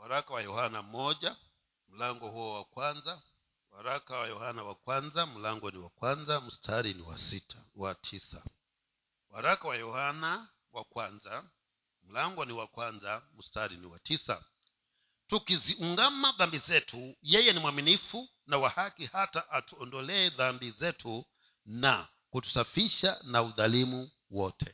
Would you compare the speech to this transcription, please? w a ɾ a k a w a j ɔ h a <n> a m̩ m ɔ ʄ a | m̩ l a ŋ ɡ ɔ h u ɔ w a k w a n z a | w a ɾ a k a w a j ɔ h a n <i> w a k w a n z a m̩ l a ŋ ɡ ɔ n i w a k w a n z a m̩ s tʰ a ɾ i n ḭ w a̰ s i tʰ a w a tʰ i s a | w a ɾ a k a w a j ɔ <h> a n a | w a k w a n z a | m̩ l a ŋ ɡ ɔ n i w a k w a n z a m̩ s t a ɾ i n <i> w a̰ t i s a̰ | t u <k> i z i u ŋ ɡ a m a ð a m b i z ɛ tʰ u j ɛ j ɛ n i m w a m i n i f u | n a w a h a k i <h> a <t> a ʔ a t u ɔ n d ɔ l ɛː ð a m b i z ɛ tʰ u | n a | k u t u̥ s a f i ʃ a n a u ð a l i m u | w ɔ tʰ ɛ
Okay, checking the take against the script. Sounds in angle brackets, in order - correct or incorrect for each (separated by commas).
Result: correct, incorrect, correct, correct, correct, correct, correct